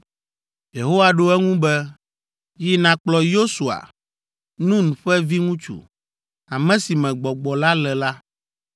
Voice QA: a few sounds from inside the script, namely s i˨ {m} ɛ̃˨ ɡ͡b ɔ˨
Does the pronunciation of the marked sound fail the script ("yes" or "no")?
no